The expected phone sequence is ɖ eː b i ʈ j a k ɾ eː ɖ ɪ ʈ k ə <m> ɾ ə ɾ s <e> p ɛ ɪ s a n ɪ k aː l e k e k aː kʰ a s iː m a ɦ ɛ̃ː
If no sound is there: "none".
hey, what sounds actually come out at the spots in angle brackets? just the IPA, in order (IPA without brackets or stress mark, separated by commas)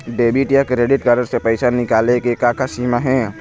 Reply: none, e